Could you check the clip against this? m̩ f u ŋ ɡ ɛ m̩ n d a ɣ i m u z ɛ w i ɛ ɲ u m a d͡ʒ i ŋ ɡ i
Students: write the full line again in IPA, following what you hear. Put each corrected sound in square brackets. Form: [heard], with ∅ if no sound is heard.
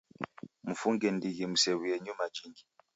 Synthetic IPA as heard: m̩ f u ŋ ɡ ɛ [∅] n d [i] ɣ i m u [s] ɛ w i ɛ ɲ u m a d͡ʒ i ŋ ɡ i